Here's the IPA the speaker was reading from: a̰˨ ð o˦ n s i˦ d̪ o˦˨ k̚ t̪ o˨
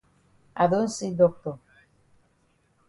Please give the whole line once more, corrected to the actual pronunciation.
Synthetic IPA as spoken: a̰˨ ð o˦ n s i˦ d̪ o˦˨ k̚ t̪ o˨